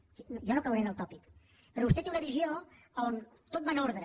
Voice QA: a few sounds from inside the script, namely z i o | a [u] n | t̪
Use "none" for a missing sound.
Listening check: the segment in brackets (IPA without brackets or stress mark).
o